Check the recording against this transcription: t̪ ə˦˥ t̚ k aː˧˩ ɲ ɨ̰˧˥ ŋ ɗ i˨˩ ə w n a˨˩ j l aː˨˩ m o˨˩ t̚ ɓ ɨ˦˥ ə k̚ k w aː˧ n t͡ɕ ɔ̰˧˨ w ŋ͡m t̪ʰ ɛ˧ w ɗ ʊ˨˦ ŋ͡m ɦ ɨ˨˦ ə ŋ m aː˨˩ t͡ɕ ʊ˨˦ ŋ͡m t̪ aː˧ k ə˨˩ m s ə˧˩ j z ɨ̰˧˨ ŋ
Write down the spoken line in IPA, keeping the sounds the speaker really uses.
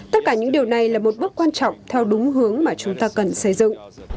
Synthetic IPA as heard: t̪ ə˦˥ t̚ k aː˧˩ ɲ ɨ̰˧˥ ŋ ɗ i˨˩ ə w n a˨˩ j l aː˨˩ m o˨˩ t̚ ɓ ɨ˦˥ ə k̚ k w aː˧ n t͡ɕ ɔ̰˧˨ w ŋ͡m t̪ʰ ɛ˧ w ɗ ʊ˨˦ ŋ͡m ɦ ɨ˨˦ ə ŋ m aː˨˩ t͡ɕ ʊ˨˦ ŋ͡m t̪ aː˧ k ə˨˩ n s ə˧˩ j z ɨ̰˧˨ ŋ